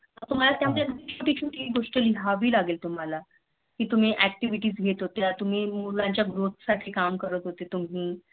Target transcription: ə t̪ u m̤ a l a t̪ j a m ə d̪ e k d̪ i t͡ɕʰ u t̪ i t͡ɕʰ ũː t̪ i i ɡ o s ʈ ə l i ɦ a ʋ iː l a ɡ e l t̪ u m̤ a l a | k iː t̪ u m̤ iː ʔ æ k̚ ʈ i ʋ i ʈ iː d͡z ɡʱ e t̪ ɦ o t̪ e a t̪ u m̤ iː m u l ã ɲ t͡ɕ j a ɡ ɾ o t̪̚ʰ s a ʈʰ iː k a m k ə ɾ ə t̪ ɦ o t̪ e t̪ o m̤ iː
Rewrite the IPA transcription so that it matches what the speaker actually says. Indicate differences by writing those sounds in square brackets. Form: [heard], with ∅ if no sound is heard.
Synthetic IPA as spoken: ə t̪ u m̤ a l a t̪ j a m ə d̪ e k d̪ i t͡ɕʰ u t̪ i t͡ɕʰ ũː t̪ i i ɡ o [ʂ] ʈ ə l i ɦ a ʋ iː l a ɡ e l t̪ u m̤ a l a | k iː t̪ u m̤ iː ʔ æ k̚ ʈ i ʋ i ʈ iː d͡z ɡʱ e t̪ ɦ o t̪ e a t̪ u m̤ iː m u l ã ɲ t͡ɕ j a ɡ ɾ o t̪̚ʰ s a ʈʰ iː k a m k ə ɾ ə t̪ ɦ o t̪ e t̪ [u] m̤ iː